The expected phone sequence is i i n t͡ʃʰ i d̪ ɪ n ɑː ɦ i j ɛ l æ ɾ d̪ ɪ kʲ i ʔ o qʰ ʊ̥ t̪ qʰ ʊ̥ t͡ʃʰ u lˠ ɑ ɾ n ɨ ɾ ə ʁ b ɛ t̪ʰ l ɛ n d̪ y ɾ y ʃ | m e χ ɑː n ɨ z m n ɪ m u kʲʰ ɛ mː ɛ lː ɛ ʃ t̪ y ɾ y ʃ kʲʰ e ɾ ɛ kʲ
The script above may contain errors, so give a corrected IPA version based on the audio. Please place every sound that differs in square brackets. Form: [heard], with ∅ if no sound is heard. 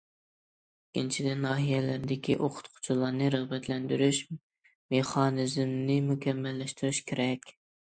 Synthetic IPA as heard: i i n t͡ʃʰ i d̪ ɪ n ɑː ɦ i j ɛ l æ ɾ d̪ ɪ kʲ i ʔ o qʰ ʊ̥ t̪ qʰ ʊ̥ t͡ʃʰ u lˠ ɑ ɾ n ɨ ɾ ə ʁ b ɛ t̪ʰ l ɛ n d̪ y ɾ y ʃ | m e χ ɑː n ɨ z m n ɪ m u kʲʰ ɛ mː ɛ lː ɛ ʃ t̪ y ɾ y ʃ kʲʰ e ɾ ɛ kʲ